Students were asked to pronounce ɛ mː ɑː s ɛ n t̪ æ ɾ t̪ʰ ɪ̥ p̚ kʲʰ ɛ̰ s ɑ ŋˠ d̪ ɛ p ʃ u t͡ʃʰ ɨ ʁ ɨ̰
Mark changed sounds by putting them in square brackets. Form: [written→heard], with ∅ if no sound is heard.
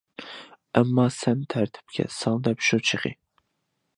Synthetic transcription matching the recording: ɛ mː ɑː s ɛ n [t̪→t̪ʰ] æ ɾ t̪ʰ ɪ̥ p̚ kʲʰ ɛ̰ s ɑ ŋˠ d̪ ɛ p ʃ u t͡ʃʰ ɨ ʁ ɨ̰